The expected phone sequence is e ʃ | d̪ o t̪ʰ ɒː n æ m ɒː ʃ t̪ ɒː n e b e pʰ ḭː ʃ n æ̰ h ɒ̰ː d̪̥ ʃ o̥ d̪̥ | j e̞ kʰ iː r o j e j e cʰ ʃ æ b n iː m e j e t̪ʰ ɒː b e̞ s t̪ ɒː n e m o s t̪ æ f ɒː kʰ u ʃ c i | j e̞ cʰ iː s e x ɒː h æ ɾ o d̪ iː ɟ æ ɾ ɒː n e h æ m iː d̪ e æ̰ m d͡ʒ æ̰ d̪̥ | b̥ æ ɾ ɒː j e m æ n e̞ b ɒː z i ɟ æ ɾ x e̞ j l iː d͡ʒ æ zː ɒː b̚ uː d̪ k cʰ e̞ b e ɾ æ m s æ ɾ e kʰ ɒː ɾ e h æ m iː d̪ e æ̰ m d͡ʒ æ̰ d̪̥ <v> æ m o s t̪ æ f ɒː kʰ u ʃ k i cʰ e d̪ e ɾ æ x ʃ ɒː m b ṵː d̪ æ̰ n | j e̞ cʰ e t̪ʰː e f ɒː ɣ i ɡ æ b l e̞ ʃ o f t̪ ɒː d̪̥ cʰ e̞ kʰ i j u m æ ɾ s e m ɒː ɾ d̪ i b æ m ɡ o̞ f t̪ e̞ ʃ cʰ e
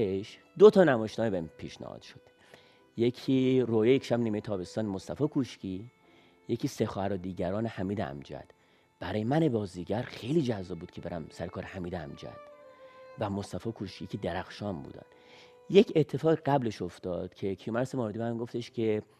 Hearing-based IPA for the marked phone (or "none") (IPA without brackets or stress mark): v